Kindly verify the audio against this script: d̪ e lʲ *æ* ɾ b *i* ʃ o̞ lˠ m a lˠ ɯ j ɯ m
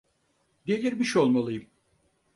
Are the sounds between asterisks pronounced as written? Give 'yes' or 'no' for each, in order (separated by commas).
no, yes